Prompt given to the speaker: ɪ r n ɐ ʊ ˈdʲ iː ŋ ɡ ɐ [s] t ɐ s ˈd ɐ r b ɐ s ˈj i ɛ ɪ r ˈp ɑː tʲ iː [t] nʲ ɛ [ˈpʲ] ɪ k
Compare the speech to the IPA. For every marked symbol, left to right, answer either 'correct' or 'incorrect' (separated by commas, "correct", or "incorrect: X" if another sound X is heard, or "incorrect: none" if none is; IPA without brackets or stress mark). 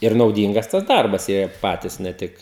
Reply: correct, incorrect: s, incorrect: tʲ